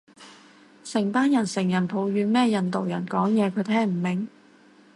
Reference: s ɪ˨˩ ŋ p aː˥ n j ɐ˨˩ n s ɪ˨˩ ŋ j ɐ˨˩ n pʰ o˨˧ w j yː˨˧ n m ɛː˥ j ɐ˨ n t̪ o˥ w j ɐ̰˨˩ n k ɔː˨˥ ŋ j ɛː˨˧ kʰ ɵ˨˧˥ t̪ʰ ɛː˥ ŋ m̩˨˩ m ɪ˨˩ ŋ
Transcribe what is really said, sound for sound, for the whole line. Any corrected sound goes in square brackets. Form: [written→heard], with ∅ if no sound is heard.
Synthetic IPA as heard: s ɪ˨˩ ŋ p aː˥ n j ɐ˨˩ n s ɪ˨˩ ŋ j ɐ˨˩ n pʰ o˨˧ w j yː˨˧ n m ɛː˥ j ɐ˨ n t̪ [o˥→o˨] w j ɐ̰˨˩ n k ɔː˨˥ ŋ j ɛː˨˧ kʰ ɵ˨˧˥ t̪ʰ ɛː˥ ŋ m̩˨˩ m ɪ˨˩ ŋ